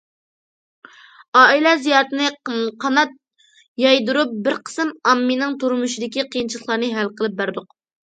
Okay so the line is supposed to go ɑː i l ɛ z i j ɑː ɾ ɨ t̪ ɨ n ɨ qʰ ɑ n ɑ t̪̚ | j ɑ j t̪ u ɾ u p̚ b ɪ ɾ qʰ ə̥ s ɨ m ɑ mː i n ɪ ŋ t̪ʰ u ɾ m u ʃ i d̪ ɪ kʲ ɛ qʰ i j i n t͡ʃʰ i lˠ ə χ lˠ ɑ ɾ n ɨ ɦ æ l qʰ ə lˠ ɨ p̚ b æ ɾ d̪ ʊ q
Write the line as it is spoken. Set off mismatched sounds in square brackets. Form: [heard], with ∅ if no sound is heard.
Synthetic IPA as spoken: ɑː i l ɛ z i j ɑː ɾ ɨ t̪ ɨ n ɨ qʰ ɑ n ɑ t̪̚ | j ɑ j [d̪] u ɾ u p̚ b ɪ ɾ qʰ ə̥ s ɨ m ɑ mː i n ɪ ŋ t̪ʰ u ɾ m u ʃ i d̪ ɪ kʲ [i] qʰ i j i n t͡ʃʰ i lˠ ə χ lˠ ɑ ɾ n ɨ ɦ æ l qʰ ə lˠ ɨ p̚ b æ ɾ d̪ ʊ q